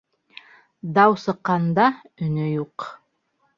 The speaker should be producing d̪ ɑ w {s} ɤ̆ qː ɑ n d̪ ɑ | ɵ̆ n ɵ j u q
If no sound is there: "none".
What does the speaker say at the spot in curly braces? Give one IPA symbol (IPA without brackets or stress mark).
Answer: s